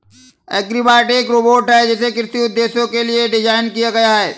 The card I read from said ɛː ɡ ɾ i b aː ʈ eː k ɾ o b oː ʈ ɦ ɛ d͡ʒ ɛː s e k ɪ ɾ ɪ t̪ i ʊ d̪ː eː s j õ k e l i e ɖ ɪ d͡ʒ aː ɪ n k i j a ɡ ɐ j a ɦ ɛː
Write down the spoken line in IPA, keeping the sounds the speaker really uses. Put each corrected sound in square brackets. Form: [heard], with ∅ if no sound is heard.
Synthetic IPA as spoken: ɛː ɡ ɾ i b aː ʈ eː k ɾ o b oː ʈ ɦ ɛ d͡ʒ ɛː s e k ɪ ɾ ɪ t̪ i ʊ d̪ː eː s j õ k e l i e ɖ ɪ d͡ʒ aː ɪ n k i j a ɡ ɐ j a ɦ ɛː